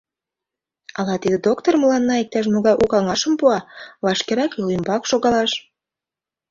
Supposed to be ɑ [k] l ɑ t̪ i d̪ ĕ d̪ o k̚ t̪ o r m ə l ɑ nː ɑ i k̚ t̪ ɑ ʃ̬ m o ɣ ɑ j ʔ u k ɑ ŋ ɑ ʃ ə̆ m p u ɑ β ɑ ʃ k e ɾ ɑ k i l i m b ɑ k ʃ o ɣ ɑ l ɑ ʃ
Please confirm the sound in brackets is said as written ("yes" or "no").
no